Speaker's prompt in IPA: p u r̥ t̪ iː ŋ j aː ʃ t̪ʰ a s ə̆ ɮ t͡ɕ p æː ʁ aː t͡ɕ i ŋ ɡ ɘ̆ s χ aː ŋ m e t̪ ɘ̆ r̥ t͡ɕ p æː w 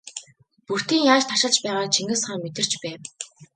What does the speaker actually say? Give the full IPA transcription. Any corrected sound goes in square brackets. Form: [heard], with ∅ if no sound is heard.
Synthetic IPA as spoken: p u r̥ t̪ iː ŋ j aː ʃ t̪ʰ a [ʃ] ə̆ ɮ t͡ɕ p æː ʁ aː [t͡ɕʰ] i ŋ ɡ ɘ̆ s χ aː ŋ m e t̪ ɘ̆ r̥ t͡ɕ p æː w